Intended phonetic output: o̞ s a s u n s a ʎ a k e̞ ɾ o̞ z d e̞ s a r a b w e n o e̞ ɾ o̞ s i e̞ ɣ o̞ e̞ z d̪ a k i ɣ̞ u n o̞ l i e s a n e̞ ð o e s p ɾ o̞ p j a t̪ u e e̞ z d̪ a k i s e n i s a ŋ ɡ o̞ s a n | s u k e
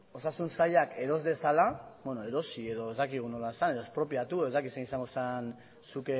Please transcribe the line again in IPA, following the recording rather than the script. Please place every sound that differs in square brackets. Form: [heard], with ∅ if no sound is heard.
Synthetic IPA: o̞ s a s u n s a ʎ a k e̞ ɾ o̞ z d e̞ s a [l] a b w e n o e̞ ɾ o̞ s i e̞ [ð] o̞ e̞ z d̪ a k i ɣ̞ u n o̞ l [a] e s a n e̞ ð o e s p ɾ o̞ p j a t̪ u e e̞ z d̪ a k i s e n i s a ŋ ɡ o̞ s a n | s u k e